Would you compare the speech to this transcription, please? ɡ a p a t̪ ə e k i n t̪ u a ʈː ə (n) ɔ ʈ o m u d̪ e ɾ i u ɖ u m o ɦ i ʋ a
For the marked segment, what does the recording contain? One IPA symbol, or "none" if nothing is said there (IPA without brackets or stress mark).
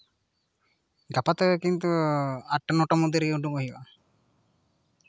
n